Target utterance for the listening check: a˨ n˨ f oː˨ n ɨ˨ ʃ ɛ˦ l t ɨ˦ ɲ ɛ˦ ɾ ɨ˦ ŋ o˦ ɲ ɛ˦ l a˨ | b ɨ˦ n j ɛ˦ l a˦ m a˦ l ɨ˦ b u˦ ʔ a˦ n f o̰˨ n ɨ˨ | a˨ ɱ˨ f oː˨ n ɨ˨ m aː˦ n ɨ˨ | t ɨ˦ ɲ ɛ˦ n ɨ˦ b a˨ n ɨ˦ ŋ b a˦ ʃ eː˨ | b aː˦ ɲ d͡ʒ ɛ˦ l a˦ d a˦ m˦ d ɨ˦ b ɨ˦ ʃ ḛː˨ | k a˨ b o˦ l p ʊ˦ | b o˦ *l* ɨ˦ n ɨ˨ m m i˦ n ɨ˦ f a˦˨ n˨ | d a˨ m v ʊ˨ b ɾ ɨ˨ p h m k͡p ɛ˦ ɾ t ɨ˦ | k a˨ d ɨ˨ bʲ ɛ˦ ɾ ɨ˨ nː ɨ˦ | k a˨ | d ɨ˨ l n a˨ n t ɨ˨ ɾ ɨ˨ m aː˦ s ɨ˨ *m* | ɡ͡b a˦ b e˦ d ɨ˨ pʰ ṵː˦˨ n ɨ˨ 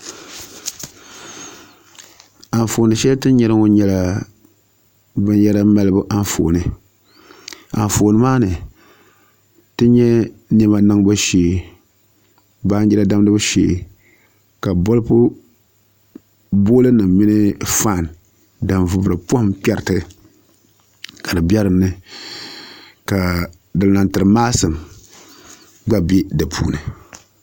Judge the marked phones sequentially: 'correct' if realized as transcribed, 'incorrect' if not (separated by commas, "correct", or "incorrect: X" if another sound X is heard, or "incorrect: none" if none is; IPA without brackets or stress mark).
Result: correct, correct